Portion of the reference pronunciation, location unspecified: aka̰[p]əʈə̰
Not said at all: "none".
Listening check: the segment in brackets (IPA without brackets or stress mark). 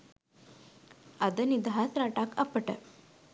p